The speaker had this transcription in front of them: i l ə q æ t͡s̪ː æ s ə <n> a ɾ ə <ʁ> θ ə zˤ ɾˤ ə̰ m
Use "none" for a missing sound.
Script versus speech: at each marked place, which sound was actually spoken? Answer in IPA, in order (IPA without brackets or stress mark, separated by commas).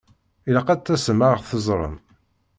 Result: m, ʁ